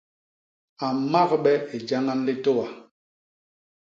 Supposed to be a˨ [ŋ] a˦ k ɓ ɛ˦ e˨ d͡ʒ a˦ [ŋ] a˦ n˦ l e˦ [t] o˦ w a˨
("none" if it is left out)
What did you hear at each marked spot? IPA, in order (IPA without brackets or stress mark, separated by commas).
m, ŋ, t